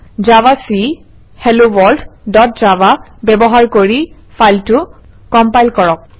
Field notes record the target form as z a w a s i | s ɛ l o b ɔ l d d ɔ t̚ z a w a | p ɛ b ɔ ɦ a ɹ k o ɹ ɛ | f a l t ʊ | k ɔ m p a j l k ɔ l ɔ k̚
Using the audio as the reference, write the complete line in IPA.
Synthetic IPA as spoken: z a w a s i | h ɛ l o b ɔ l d d ɔ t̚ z a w a | b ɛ b ɔ ɦ a ɹ k o ɹ i | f a l t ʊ | k ɔ m p a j l k ɔ ɹ ɔ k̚

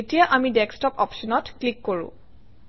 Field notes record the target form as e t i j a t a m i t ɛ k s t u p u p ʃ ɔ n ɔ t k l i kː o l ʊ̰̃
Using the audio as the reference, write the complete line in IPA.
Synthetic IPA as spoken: e t i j a ʔ a m i d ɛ k s t ɔ p ɔ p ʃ ɔ n ɔ t k l i kː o ɹ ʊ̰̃

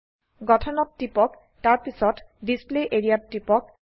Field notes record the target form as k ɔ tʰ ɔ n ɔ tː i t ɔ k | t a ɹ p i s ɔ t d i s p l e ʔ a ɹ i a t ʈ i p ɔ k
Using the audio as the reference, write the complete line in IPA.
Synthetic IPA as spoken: ɡ ɔ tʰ ɔ n ɔ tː i p ɔ k | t a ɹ p i s ɔ t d i s p l e ʔ e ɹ i a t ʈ i p ɔ k

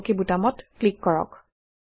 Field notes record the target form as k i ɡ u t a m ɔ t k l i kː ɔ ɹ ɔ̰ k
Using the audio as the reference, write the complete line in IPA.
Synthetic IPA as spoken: k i b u t a m ɔ t k l i kː ɔ ɹ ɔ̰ k

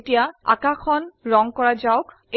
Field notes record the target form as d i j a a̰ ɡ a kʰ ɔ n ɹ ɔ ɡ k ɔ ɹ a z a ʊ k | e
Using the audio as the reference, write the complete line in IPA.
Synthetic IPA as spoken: t i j a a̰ k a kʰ ɔ n ɹ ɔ ŋ k ɔ ɹ a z a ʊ k | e

